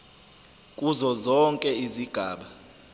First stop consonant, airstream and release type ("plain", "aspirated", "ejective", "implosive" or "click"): ejective